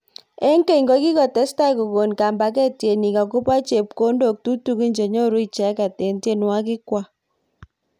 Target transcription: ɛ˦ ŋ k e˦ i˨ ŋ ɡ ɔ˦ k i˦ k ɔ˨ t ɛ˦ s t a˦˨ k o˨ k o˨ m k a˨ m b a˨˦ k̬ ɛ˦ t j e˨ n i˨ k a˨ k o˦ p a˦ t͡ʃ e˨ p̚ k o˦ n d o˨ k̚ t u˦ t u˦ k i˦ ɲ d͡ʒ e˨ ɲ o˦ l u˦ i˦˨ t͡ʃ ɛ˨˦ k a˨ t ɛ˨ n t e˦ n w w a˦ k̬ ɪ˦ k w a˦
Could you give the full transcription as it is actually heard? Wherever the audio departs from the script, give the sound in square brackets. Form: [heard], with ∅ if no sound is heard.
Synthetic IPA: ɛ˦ ŋ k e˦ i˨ ŋ ɡ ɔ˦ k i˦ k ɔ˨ t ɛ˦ s t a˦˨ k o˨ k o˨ [n] k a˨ m b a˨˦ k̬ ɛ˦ t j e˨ n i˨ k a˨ k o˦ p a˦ t͡ʃ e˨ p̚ k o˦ n d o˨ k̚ t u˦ t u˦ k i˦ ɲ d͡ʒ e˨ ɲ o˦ [ɾ] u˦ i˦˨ t͡ʃ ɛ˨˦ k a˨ t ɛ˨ n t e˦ n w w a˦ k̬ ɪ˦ k w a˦